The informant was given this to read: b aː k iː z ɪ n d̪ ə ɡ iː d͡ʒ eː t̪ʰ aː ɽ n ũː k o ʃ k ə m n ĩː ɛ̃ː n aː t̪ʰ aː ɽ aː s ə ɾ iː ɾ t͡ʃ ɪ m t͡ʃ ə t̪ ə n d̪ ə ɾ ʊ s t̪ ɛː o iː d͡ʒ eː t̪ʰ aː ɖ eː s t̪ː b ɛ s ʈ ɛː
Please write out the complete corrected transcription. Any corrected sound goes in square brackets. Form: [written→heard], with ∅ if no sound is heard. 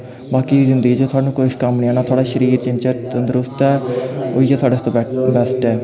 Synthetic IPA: b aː k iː z ɪ n d̪ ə ɡ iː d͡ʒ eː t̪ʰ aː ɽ n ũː k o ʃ k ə m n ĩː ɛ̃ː n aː t̪ʰ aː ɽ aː [s→ʃ] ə ɾ iː ɾ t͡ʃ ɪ m t͡ʃ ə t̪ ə n d̪ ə ɾ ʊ s t̪ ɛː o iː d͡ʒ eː t̪ʰ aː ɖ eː s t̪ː b ɛ s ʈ ɛː